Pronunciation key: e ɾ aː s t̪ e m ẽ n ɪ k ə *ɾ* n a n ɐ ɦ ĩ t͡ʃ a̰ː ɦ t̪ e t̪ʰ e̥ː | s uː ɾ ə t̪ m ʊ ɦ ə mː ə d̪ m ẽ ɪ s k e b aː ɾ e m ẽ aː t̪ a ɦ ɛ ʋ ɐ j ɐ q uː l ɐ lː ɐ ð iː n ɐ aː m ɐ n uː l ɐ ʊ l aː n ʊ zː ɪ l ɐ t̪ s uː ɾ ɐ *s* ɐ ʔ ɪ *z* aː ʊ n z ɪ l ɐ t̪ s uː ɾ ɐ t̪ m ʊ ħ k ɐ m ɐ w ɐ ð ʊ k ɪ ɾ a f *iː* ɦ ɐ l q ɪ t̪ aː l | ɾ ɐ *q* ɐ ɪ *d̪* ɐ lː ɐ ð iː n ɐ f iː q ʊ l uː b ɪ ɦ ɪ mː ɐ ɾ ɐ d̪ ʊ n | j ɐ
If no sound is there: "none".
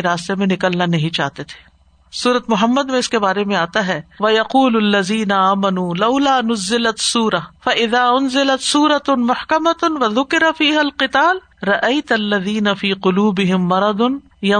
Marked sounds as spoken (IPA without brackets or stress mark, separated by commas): l, f, ð, iː, ʔ, t̪